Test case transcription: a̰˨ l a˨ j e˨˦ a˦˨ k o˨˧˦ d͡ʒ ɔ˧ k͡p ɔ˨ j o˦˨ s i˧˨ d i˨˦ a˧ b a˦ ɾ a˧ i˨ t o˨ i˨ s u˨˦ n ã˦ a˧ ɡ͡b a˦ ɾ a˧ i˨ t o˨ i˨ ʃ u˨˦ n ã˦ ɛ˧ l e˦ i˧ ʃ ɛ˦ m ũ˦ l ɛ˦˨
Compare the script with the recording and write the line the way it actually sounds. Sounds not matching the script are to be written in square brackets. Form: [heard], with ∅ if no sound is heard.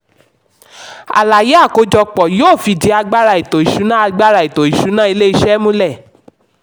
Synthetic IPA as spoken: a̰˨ l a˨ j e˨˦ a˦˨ k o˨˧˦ d͡ʒ ɔ˧ k͡p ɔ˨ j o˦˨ [f] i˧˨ d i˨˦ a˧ [ɡ͡b] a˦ ɾ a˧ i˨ t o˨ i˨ [ʃ] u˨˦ n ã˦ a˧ ɡ͡b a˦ ɾ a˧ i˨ t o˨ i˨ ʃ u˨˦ n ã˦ [i˧] l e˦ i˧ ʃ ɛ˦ m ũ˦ l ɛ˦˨